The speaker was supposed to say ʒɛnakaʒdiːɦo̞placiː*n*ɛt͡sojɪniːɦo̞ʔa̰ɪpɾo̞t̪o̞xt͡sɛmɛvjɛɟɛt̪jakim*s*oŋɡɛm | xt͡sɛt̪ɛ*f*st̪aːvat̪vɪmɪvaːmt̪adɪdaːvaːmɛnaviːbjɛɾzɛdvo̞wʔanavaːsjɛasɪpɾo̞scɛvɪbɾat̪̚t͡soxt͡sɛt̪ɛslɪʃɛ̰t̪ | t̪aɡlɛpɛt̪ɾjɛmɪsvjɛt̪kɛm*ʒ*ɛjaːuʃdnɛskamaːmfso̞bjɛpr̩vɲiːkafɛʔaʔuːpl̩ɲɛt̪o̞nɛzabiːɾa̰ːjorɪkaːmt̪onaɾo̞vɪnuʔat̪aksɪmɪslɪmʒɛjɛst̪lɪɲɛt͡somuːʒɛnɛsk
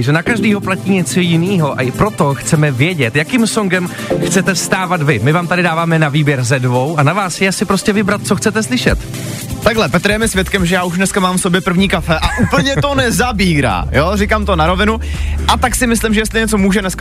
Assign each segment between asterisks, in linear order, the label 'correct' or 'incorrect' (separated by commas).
incorrect, correct, correct, correct